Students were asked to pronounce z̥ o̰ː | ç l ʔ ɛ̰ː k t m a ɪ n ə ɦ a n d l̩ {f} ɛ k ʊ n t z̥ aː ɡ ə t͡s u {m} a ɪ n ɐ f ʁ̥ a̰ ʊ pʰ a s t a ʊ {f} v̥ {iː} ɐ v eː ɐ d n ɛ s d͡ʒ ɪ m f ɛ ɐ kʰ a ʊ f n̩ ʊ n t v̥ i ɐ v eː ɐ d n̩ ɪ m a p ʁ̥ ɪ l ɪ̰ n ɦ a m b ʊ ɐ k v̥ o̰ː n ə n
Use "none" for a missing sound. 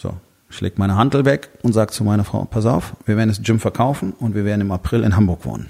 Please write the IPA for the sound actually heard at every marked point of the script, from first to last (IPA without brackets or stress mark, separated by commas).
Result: v, m, f, iː